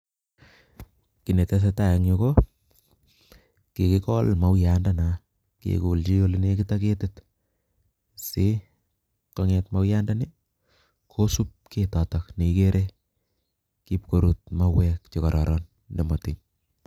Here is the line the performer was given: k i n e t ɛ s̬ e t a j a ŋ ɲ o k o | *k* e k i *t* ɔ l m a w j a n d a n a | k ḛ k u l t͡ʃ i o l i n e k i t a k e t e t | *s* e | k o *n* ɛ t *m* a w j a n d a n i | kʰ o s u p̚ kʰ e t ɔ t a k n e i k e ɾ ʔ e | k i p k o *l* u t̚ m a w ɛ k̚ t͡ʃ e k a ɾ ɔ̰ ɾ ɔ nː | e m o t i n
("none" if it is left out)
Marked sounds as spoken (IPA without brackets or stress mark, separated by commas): k, k, s, ŋ, m, ɾ